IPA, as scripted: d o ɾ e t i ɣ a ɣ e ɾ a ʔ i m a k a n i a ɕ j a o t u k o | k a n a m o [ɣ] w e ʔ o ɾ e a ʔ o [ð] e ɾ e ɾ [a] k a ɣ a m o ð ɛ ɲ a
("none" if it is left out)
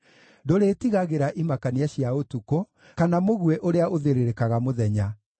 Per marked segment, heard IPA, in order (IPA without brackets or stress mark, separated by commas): ɣ, ð, e